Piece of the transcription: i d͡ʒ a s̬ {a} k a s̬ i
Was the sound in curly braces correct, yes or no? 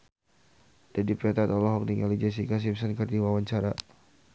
no